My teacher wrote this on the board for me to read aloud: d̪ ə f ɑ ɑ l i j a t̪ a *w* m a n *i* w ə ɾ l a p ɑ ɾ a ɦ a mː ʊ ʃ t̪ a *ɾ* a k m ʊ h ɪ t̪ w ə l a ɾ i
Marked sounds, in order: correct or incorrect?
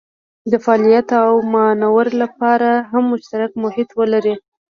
correct, incorrect, correct

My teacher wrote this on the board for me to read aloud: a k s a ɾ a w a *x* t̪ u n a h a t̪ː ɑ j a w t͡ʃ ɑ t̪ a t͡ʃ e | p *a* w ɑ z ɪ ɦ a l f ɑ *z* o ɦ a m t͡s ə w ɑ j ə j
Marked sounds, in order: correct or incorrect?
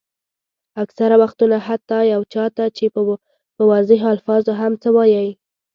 correct, incorrect, correct

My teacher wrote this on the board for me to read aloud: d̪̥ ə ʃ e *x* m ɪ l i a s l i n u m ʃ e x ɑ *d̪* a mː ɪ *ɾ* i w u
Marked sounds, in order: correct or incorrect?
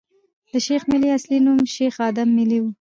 correct, correct, incorrect

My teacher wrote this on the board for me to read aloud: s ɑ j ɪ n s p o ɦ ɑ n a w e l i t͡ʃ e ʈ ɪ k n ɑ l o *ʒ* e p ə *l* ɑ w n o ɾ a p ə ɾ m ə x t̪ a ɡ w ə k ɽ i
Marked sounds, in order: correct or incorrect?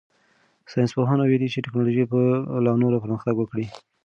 correct, correct

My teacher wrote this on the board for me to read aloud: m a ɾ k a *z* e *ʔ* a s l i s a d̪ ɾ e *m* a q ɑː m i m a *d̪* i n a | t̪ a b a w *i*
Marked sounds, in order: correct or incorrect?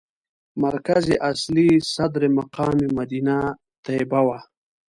correct, correct, correct, correct, incorrect

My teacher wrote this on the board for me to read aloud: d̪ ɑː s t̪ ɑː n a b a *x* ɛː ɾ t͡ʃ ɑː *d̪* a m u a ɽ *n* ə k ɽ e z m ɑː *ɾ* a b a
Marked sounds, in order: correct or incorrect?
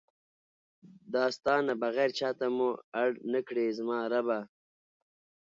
incorrect, incorrect, correct, correct

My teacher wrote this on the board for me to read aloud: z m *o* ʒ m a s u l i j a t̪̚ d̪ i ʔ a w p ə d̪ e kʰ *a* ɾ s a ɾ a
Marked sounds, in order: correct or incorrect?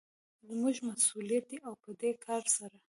incorrect, incorrect

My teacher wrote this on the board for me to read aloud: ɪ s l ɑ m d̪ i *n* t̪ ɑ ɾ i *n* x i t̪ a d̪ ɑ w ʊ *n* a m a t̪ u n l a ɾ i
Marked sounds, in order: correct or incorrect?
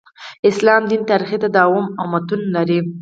correct, incorrect, incorrect

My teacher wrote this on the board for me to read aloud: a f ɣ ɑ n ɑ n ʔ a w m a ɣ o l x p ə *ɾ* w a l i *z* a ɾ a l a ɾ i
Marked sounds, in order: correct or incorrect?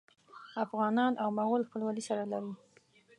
incorrect, incorrect

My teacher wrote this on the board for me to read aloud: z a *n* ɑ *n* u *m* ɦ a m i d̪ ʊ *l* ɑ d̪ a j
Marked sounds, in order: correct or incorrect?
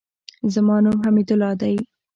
incorrect, correct, correct, correct

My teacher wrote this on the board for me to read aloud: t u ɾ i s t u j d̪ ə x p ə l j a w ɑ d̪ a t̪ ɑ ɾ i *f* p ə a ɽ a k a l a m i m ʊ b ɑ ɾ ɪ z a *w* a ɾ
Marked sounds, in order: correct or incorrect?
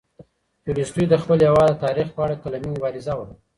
incorrect, correct

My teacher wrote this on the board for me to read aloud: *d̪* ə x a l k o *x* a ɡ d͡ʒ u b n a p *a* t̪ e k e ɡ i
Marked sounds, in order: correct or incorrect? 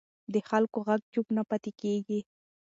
correct, incorrect, correct

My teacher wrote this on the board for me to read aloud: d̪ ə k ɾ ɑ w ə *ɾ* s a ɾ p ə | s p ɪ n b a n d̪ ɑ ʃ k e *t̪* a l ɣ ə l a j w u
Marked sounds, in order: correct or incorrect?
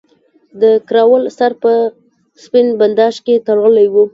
incorrect, correct

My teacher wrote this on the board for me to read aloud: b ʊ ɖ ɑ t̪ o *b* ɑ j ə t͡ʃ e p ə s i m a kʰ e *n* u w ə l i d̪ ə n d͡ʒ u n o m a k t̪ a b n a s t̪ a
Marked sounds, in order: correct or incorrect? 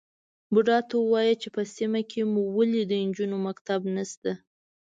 incorrect, incorrect

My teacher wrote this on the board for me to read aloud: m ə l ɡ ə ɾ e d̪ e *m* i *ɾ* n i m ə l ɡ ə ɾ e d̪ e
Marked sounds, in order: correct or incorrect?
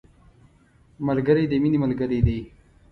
correct, incorrect

